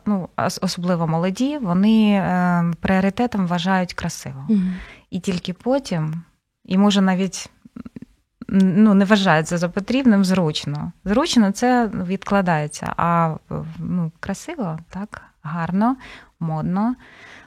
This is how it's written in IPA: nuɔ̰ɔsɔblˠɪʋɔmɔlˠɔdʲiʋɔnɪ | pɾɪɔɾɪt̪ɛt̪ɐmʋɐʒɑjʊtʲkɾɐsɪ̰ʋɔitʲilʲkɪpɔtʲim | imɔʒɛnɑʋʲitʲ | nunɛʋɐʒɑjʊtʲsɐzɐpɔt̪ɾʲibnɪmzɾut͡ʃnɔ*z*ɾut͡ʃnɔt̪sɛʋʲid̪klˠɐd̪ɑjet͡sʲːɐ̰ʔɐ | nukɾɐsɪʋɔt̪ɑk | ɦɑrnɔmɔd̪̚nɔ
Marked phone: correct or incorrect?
correct